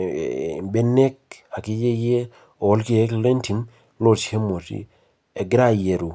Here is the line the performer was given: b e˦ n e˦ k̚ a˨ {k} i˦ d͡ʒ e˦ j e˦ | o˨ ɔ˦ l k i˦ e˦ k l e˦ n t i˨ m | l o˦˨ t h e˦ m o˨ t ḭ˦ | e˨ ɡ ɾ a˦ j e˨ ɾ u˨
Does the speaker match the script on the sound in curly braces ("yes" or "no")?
yes